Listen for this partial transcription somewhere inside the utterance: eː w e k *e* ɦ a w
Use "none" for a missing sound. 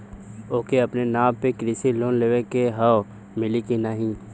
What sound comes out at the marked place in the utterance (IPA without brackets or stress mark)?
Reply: e